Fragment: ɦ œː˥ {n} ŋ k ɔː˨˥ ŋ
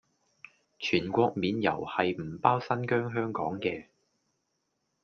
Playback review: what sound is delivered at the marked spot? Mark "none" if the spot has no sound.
none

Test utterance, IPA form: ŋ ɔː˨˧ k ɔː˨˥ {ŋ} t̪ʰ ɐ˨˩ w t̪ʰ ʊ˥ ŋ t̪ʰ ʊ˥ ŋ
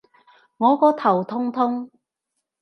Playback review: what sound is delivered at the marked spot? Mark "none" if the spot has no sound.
none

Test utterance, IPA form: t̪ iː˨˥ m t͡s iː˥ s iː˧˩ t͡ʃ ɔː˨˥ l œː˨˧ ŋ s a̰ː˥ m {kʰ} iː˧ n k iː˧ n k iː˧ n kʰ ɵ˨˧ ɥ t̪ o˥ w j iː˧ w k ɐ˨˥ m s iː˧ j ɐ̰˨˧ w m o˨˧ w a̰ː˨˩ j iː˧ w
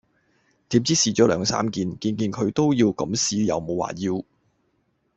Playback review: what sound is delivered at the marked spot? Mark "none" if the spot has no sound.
k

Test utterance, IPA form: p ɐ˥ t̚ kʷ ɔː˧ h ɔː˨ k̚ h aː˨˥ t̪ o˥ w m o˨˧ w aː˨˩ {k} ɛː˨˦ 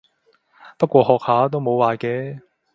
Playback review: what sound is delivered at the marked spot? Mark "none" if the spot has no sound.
k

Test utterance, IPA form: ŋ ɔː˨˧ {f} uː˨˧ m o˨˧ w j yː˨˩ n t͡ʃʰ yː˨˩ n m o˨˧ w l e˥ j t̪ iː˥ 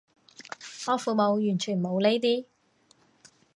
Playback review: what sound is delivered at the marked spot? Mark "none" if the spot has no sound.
f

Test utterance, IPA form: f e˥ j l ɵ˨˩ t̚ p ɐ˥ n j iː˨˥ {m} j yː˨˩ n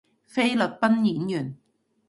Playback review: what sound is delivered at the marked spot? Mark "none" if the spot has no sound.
n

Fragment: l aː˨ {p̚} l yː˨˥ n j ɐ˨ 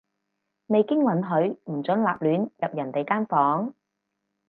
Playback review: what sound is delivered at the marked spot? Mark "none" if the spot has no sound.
p̚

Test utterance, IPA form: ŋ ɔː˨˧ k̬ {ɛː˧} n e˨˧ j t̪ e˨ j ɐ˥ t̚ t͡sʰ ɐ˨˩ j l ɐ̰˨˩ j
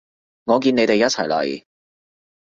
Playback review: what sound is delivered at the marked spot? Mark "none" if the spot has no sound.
iː˧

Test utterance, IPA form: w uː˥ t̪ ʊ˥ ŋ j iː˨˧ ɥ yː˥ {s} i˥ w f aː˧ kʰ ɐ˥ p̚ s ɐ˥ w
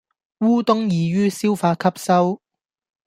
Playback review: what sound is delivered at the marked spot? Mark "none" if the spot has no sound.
s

